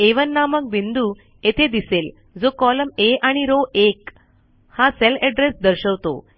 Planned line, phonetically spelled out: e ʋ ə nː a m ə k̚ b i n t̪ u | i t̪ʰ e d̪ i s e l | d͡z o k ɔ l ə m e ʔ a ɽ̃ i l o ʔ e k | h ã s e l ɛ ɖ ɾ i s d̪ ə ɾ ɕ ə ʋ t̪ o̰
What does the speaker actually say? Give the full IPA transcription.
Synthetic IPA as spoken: e ʋ ə nː a m ə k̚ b i n d̪ u | e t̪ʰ e d̪ i s e l | d͡z o k ɔ l ə m e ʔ a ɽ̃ i ɾ o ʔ e k | h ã s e l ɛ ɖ ɾ e s d̪ ə ɾ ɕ ə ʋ t̪ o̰